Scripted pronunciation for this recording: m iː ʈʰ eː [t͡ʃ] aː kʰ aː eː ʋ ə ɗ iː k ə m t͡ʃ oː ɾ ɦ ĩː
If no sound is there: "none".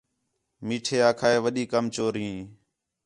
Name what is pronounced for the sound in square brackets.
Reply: none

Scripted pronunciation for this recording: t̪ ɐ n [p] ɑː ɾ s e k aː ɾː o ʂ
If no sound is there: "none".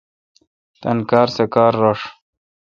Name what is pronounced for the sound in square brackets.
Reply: k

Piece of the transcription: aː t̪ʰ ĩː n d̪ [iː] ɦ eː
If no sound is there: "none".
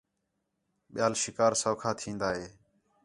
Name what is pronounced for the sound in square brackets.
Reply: aː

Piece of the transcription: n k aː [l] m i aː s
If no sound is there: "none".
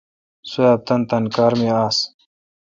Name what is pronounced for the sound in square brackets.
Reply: ɾ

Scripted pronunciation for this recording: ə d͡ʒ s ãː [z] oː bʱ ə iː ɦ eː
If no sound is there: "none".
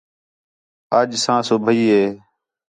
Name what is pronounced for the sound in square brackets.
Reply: s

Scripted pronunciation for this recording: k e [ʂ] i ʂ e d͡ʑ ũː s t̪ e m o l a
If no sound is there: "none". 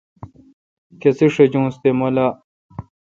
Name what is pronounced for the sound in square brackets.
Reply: s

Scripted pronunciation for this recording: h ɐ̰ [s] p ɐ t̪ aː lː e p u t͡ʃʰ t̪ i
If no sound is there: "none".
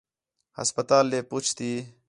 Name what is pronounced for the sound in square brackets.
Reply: s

